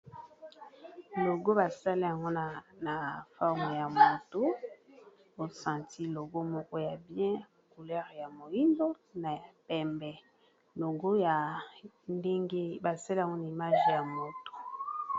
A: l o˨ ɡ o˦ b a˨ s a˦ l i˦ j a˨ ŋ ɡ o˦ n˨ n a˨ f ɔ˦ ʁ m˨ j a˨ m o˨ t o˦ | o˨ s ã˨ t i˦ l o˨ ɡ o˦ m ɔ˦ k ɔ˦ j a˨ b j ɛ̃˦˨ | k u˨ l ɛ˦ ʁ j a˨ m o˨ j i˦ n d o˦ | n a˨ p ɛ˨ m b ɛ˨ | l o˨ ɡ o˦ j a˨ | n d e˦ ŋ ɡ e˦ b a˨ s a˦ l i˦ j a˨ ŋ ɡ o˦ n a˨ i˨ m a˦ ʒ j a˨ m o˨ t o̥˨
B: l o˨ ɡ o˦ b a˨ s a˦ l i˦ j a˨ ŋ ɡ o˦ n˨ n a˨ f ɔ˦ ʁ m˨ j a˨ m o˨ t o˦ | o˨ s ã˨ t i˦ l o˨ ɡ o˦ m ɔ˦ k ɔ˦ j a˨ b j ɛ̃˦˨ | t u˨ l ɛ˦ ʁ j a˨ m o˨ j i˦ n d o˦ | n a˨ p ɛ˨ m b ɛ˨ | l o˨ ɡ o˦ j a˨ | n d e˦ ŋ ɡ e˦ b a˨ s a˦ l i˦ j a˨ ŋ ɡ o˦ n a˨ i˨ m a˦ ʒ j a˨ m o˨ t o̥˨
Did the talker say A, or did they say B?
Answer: A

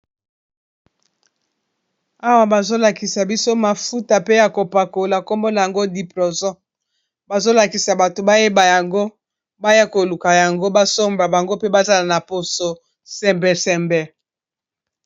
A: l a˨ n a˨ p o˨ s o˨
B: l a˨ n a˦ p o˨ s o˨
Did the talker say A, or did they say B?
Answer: A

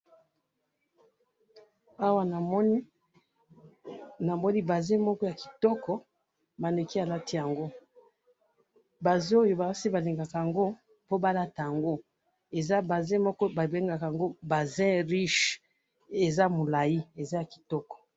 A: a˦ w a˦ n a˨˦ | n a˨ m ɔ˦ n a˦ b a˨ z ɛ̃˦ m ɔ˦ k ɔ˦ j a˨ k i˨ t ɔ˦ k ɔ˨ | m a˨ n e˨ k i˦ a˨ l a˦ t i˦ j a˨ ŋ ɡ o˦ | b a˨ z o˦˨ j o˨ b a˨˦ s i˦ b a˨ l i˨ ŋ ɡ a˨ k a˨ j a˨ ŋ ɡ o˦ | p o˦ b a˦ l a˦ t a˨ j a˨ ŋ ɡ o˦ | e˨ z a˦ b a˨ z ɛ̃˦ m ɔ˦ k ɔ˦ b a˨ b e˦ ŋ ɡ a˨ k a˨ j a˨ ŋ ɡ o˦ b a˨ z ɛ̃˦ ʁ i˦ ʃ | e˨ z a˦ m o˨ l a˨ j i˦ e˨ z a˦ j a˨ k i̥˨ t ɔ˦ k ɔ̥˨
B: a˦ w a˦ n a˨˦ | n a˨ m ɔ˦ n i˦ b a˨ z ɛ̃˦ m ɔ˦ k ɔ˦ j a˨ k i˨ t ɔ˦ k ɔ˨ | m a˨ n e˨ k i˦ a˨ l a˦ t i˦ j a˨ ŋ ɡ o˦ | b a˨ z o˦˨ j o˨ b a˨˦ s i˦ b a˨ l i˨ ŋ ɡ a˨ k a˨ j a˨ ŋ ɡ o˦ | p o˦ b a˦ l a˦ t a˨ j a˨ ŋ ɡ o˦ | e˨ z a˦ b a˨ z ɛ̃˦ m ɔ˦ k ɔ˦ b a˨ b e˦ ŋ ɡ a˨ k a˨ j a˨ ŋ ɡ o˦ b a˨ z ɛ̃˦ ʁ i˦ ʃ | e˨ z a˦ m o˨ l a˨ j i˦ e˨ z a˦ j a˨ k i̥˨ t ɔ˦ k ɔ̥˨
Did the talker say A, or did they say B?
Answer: B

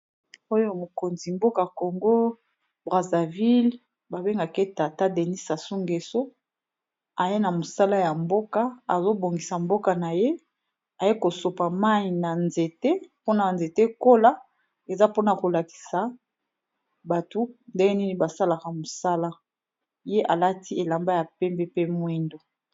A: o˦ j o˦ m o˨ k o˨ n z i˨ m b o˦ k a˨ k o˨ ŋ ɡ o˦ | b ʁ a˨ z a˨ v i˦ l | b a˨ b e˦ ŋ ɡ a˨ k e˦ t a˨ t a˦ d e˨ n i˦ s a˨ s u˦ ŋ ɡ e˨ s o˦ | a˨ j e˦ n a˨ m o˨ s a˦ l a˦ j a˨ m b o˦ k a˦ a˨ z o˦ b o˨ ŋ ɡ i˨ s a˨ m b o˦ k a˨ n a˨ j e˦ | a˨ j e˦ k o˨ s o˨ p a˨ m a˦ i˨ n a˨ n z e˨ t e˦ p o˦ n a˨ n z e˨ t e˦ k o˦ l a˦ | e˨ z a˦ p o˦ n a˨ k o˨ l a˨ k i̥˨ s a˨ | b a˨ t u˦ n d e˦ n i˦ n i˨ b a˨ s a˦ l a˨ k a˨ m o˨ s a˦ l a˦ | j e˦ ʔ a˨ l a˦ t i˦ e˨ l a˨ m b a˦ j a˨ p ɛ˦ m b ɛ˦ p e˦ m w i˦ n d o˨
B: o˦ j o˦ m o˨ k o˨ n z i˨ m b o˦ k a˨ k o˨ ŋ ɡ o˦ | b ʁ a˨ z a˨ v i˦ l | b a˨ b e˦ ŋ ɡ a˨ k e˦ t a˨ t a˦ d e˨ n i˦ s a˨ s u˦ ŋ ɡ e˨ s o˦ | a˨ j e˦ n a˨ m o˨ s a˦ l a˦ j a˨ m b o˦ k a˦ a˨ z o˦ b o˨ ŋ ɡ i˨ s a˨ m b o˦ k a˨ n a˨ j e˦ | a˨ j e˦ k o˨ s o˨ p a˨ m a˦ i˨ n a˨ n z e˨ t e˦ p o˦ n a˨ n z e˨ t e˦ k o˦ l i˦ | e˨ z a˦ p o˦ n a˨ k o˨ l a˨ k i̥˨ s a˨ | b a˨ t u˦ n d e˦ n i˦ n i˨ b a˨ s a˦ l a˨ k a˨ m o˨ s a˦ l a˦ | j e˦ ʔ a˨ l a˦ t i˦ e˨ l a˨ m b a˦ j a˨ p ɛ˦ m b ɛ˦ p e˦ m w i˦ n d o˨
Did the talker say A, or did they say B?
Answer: A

